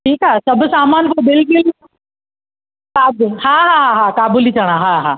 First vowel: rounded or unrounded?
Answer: unrounded